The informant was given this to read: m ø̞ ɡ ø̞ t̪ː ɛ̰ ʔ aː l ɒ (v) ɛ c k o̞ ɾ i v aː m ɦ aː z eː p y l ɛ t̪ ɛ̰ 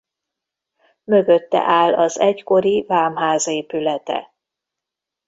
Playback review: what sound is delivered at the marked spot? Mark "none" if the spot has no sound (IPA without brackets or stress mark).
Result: z